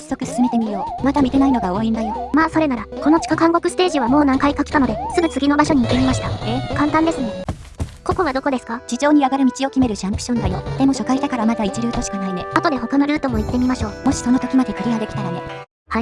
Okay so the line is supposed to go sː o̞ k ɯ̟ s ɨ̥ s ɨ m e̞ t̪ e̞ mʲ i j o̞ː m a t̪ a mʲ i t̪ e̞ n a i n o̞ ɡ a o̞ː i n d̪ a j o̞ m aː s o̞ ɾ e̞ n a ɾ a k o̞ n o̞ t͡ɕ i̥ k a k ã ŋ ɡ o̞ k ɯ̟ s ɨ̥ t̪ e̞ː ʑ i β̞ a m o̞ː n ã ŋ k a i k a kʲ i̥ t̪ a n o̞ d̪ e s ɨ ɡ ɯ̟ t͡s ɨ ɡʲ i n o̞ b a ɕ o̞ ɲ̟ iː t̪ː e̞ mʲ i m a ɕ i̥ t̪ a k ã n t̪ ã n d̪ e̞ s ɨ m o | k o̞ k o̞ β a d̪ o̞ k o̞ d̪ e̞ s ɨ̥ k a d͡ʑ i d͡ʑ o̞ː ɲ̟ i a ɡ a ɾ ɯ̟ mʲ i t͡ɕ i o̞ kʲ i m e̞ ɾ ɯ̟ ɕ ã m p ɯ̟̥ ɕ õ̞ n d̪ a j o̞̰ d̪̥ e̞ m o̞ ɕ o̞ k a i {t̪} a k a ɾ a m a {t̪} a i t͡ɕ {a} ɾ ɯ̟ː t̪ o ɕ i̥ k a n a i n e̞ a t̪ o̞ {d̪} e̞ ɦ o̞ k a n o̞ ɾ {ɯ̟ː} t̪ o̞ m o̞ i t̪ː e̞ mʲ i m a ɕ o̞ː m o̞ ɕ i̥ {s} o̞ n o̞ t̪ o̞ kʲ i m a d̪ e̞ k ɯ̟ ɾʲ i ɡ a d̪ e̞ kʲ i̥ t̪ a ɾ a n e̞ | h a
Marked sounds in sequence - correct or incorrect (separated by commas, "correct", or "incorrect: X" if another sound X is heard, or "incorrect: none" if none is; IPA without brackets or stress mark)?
correct, incorrect: d̪, incorrect: i, correct, correct, correct